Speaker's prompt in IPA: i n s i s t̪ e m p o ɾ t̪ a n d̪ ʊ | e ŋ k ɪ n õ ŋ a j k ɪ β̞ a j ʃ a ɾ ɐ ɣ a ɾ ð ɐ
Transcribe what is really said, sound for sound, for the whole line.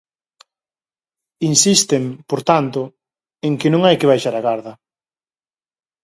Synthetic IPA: i n s i s t̪ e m p o ɾ t̪ a n t̪ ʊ | e ŋ k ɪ n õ ŋ a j k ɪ β̞ a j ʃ a ɾ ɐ ɣ a ɾ ð ɐ